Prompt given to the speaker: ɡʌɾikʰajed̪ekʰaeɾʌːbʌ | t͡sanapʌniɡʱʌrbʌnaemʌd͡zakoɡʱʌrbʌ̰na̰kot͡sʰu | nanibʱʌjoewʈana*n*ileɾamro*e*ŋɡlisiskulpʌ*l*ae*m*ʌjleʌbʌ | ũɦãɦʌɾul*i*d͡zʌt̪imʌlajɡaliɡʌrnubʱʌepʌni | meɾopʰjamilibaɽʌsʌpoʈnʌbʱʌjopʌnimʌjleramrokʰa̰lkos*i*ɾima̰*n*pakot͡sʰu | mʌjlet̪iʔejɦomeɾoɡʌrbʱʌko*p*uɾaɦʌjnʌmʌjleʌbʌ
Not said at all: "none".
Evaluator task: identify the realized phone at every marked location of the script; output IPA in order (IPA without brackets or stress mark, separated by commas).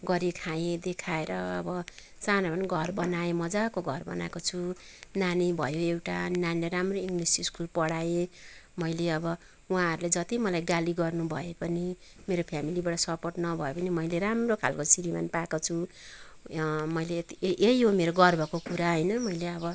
n, i, ɽ, m, e, i, n, k